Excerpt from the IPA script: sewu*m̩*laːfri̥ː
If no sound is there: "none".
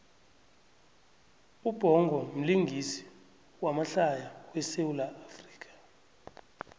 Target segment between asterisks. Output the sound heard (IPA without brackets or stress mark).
none